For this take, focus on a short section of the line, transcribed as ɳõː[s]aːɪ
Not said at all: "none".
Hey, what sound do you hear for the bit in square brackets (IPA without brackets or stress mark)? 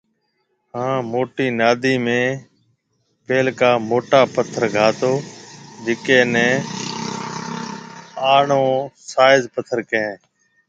s